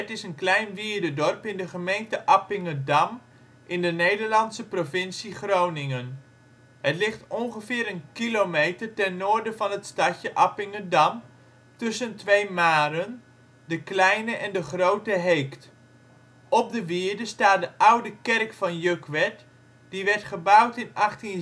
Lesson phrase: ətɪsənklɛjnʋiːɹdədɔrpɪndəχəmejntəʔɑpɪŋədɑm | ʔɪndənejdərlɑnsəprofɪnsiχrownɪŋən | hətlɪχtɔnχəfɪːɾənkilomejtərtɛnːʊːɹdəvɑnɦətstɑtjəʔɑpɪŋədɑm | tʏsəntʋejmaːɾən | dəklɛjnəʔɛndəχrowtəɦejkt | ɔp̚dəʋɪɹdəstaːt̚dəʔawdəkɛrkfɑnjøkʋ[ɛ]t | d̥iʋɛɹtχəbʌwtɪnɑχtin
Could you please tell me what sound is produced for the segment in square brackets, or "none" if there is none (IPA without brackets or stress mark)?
ɛ